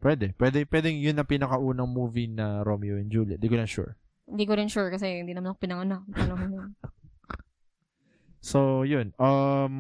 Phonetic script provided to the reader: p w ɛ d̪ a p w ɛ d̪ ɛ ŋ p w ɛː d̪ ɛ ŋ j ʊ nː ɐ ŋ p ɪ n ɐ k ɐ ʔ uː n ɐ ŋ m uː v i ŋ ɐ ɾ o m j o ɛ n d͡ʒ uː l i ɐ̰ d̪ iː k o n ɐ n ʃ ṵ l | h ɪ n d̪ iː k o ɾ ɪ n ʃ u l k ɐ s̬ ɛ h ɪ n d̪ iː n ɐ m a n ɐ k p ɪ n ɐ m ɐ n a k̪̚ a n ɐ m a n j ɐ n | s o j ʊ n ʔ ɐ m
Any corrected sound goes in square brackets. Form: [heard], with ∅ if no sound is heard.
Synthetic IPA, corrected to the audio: p w ɛ d̪ [ɛ] p w ɛ d̪ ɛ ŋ p w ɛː d̪ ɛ ŋ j ʊ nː ɐ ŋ p ɪ n ɐ k ɐ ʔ uː n ɐ ŋ m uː v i [n] ɐ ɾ o m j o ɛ n d͡ʒ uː l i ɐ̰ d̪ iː k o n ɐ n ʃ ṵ [ɹ] | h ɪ n d̪ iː k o ɾ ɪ n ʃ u [ɹ] k ɐ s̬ ɛ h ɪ n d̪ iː n ɐ m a n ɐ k p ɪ n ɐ [ŋ] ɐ n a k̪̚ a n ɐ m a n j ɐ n | s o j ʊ n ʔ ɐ m